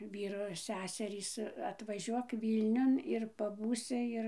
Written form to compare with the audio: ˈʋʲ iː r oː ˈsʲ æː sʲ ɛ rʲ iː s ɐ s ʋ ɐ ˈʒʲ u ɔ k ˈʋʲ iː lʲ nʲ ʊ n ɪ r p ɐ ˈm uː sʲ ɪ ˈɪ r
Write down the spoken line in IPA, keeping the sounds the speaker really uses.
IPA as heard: ˈʋʲ iː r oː ˈsʲ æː sʲ ɛ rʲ iː s ɐ t ʋ ɐ ˈʒʲ u ɔ k ˈʋʲ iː lʲ nʲ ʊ n ɪ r p ɐ ˈb uː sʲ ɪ ˈɪ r